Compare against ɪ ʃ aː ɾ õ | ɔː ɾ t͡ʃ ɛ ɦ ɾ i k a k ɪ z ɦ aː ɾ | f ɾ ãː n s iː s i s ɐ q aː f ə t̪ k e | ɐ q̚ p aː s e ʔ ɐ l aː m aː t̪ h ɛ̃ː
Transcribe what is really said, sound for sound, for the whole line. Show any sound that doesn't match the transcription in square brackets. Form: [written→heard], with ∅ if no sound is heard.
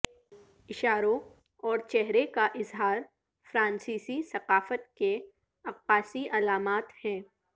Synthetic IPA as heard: ɪ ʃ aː ɾ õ | ɔː ɾ t͡ʃ ɛ ɦ ɾ [i→e] k a [k→ʔ] ɪ z ɦ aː ɾ | f ɾ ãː n s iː s i s ɐ q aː f ə t̪ k e | ɐ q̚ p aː s [e→i] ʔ ɐ l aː m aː t̪ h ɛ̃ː